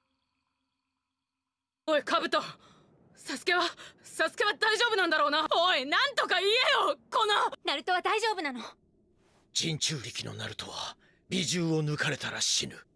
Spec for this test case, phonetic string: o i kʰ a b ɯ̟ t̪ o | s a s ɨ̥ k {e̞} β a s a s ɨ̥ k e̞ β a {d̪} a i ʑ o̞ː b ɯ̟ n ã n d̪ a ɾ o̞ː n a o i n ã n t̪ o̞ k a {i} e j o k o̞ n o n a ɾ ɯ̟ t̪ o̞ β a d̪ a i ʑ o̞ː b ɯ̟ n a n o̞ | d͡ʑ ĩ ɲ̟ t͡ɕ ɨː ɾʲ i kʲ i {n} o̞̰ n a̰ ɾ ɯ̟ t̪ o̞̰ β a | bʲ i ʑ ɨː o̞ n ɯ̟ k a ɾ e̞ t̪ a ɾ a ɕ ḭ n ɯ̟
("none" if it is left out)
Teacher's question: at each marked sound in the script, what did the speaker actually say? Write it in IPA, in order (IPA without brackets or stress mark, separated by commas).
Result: e̞, d̪, i, n